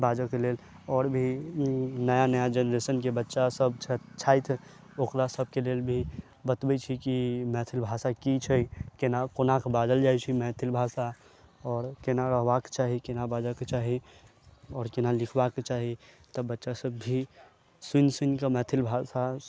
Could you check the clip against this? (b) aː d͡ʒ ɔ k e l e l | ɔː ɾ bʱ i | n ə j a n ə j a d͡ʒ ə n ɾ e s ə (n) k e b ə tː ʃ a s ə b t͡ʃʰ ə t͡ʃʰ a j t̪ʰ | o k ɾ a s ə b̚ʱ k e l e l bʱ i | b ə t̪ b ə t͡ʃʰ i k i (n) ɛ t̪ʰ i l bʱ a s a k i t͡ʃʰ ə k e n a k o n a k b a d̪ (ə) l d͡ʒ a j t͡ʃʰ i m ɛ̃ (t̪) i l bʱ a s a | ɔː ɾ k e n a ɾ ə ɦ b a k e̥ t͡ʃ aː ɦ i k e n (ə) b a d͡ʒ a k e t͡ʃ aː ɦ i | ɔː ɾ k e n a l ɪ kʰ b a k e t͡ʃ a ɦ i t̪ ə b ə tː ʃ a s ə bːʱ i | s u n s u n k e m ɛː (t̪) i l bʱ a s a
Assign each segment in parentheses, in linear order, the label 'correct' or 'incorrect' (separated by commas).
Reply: correct, correct, incorrect, correct, incorrect, incorrect, incorrect